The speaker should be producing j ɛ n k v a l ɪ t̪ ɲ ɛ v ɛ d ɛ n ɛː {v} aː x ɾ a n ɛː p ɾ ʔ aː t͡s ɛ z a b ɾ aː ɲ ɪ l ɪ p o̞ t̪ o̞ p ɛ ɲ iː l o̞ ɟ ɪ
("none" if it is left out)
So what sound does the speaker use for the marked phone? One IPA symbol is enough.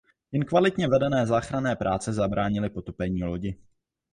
z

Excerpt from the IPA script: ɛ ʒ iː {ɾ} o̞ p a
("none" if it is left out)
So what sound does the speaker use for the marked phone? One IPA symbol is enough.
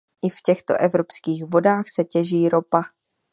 ɾ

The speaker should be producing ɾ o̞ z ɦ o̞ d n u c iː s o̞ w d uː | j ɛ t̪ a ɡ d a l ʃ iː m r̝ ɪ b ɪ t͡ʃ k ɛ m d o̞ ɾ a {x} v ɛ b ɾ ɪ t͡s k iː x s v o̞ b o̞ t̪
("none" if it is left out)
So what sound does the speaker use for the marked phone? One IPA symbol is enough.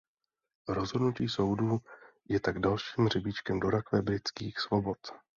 k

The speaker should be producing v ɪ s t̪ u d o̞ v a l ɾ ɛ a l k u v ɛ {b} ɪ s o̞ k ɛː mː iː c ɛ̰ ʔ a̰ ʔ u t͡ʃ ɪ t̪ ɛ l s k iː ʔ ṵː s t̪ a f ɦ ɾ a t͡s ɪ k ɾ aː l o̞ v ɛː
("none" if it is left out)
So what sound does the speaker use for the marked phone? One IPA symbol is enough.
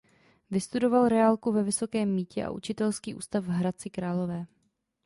v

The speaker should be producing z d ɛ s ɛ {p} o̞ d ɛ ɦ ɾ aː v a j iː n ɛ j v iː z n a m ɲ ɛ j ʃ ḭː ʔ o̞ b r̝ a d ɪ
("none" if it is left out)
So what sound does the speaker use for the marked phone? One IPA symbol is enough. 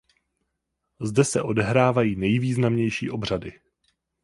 ʔ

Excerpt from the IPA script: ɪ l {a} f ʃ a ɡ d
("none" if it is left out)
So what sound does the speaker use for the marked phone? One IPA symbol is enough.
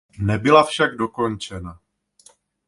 a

